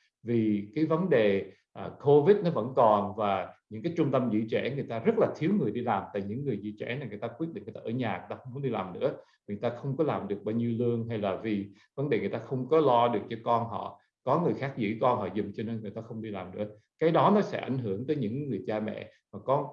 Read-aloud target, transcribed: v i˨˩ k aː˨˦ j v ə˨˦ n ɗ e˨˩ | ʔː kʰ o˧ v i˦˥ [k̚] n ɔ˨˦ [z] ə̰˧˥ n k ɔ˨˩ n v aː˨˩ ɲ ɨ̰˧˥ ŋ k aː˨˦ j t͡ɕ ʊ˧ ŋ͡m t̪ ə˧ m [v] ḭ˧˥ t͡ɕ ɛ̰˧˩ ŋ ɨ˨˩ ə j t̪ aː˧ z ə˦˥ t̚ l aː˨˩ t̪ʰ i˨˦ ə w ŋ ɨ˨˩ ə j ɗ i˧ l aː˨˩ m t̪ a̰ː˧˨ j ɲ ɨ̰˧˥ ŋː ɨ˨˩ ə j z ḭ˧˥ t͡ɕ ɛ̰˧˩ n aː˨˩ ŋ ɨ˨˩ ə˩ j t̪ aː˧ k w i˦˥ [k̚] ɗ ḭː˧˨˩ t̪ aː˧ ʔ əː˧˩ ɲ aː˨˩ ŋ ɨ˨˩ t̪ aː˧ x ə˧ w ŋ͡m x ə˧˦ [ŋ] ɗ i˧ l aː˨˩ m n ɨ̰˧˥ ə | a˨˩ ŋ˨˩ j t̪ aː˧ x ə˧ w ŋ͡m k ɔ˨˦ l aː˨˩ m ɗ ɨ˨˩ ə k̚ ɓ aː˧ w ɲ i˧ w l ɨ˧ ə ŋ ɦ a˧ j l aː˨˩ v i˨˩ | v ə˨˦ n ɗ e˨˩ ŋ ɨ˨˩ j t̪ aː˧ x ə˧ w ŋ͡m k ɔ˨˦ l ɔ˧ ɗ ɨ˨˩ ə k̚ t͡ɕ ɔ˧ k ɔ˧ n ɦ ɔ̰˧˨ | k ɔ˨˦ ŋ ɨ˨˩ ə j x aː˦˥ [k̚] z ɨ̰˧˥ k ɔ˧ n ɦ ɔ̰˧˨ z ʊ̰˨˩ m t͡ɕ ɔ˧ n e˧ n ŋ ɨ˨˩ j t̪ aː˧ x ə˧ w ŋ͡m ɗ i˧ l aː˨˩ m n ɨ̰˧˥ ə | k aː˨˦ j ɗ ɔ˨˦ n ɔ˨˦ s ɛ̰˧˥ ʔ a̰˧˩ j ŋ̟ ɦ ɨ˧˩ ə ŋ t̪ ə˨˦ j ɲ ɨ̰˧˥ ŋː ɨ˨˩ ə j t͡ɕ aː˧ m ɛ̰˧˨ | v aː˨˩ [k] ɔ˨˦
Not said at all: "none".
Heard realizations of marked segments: t̚, v, z, t̚, ŋ͡m, k̚, k

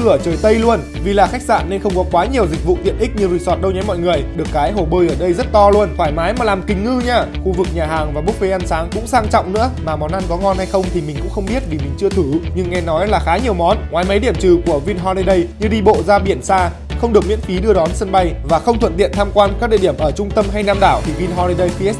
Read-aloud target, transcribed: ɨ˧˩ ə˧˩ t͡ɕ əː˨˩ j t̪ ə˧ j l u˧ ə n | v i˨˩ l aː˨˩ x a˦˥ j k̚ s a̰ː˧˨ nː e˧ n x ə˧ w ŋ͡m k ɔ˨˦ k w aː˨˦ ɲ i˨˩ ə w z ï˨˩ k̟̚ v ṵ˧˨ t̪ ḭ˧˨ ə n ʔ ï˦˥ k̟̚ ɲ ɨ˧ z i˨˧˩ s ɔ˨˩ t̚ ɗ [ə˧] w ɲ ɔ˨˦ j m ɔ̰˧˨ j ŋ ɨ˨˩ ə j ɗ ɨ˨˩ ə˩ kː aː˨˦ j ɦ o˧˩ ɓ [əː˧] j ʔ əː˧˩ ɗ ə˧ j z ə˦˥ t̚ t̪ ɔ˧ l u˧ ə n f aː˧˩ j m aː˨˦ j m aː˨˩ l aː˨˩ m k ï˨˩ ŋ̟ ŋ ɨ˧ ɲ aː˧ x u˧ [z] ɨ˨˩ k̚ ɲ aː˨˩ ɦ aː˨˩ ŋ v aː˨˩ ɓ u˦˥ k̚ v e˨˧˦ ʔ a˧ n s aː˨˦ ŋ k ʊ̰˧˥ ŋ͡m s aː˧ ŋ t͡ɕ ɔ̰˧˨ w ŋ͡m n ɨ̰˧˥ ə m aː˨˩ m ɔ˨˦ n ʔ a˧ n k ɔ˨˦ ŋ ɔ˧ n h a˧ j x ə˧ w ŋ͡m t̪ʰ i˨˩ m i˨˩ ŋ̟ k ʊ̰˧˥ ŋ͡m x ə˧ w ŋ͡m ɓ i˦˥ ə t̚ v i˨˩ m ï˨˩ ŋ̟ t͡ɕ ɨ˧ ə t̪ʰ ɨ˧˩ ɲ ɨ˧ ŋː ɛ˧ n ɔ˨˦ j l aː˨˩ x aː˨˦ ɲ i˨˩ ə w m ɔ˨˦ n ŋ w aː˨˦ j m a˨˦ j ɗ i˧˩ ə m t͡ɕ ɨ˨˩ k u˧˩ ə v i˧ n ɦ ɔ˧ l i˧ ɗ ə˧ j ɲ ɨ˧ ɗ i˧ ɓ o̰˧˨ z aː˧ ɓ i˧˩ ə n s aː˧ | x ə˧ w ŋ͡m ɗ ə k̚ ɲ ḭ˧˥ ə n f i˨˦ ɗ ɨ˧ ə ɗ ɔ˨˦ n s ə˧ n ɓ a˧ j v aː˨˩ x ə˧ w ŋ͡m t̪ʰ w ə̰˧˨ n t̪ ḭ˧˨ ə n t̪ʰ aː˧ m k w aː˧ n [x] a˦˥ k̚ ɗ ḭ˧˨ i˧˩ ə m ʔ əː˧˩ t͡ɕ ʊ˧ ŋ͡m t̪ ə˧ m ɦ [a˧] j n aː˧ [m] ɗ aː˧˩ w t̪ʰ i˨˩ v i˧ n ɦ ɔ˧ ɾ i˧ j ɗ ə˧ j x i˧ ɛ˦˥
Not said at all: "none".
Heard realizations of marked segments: ə˧, əː˧, v, k, a˧, m

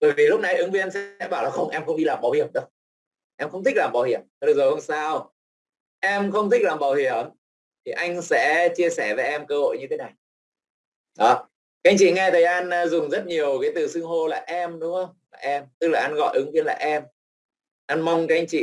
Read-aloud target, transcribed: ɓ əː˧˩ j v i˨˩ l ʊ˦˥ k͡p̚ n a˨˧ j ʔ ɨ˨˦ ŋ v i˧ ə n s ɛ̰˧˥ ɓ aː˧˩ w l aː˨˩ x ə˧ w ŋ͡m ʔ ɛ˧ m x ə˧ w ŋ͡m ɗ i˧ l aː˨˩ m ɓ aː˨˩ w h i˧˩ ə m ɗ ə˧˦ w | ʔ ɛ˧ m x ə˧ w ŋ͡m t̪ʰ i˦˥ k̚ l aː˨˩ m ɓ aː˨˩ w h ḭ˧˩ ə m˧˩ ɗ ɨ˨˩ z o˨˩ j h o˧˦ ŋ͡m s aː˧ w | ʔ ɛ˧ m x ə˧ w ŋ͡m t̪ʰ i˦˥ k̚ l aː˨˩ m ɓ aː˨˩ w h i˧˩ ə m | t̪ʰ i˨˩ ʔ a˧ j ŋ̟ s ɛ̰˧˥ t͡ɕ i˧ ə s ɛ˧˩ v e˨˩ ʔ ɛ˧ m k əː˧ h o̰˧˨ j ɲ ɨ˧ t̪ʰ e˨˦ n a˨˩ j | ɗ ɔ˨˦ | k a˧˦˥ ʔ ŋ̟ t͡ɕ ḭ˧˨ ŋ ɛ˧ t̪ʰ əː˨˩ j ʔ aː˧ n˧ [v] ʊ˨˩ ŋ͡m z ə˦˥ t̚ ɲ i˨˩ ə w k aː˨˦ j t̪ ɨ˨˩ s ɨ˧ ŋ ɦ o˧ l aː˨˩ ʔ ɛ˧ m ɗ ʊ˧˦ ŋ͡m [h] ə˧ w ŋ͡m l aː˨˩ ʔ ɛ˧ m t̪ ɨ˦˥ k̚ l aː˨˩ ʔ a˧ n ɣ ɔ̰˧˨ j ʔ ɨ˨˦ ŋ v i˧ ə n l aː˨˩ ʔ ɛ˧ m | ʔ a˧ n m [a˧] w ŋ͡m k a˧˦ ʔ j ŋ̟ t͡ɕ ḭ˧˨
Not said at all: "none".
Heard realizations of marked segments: z, x, a˧

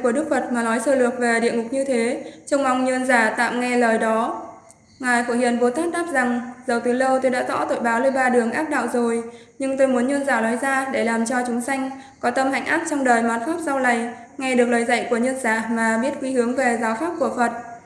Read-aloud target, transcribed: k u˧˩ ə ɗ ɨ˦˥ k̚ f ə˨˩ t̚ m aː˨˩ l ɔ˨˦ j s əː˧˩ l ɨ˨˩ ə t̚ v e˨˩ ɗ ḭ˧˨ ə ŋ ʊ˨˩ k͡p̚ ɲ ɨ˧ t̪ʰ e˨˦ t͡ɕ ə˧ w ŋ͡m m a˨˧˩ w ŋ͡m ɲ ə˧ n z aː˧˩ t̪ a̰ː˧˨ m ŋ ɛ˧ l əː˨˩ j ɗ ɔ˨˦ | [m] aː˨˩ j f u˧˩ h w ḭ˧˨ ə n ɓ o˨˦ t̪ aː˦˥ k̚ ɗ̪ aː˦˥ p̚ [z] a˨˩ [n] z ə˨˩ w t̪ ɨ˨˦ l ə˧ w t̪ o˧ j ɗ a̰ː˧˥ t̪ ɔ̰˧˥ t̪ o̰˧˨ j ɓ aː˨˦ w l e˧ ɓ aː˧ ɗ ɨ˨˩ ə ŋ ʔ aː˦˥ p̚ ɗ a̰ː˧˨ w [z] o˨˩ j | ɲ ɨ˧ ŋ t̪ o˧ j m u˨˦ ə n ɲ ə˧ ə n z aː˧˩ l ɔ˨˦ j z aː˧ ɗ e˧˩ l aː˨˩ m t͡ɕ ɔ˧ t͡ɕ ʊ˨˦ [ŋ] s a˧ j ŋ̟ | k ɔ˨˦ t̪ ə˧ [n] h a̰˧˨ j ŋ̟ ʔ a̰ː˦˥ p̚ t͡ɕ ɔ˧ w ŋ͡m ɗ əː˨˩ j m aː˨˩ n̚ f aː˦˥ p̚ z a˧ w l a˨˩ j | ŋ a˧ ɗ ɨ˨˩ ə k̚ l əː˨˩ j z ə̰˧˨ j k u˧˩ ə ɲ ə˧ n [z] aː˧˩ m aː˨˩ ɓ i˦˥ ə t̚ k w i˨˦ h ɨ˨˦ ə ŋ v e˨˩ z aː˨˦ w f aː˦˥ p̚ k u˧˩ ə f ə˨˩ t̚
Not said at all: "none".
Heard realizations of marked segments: ŋ, z, ŋ, z, ŋ͡m, m, z

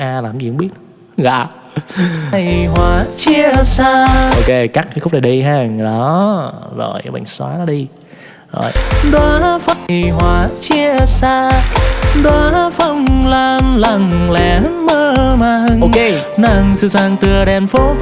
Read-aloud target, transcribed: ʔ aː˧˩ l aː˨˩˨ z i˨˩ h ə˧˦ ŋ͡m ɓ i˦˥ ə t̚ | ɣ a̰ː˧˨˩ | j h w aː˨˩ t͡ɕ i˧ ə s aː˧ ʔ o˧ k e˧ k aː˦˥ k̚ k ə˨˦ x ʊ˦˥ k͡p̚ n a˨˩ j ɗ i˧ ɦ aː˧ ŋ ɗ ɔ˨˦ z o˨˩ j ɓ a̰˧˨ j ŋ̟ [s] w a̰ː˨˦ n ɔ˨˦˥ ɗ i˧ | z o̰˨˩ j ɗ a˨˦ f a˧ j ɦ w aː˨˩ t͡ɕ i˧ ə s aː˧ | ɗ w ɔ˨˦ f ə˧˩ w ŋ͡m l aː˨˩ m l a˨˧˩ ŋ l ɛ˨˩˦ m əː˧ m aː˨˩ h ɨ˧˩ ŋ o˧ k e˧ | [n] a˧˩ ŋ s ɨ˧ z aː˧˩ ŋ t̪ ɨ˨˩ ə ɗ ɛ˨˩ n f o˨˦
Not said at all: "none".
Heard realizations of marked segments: s, n

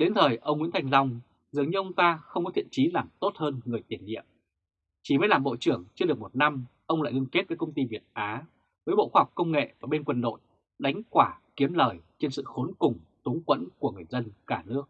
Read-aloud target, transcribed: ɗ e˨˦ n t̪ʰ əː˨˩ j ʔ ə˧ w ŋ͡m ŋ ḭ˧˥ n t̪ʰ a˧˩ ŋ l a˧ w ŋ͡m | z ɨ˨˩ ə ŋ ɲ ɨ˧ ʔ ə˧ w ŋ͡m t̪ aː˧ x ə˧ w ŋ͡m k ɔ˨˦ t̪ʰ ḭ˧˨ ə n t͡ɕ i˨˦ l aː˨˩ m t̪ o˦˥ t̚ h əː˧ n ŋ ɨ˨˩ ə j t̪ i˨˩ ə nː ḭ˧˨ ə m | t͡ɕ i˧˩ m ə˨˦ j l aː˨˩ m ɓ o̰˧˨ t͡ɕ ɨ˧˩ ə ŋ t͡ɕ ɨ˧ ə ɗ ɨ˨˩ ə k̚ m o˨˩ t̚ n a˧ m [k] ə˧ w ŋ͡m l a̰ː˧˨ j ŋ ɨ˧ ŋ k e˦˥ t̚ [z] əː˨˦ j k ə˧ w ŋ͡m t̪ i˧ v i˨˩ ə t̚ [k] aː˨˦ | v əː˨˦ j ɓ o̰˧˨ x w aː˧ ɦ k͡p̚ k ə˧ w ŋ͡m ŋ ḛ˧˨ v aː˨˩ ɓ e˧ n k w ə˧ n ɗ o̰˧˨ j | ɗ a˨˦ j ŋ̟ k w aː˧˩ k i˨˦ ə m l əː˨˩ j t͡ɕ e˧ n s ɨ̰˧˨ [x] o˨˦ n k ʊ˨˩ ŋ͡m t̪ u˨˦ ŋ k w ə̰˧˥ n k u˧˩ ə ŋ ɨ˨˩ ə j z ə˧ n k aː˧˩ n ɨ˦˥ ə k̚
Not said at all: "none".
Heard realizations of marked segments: ʔ, v, ʔ, x

